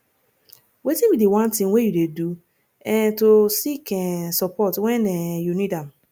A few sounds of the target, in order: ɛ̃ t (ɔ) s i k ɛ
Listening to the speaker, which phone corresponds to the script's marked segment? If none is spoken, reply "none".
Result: o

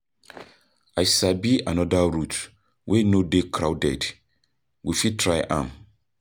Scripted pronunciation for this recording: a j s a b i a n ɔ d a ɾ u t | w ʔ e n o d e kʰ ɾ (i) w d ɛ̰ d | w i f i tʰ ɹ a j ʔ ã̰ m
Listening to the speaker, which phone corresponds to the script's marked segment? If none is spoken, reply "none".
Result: a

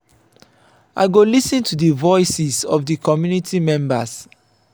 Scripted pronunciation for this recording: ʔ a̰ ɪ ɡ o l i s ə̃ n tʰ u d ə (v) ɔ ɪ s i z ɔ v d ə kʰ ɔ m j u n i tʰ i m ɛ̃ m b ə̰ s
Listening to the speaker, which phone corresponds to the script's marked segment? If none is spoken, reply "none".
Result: v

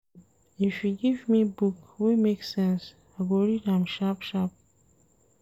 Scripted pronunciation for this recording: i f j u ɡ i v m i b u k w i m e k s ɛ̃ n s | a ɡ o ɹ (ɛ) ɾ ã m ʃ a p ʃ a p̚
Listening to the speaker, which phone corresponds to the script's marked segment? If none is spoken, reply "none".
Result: i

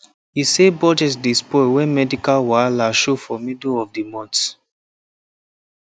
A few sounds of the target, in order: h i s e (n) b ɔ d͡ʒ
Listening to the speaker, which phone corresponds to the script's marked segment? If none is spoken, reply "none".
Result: none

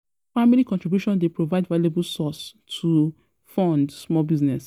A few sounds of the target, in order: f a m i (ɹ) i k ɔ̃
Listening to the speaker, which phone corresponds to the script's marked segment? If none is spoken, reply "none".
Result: l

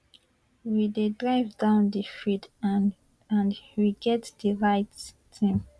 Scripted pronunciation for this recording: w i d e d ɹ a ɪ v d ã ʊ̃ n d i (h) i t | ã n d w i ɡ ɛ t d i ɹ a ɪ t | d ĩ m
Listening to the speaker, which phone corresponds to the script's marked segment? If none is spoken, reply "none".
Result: f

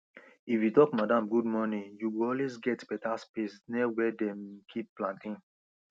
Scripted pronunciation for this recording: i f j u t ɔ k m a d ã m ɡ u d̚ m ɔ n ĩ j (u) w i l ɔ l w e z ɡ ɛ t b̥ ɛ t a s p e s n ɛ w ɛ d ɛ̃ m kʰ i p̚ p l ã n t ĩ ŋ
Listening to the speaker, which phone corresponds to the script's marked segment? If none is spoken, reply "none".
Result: u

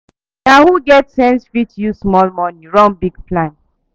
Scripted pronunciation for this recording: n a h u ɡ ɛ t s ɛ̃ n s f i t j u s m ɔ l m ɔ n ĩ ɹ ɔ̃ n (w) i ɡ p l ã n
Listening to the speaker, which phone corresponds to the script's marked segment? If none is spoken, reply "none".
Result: b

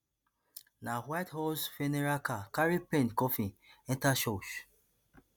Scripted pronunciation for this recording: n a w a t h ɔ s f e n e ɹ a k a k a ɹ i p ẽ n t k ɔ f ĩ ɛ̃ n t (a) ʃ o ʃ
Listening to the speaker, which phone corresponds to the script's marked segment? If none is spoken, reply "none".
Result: a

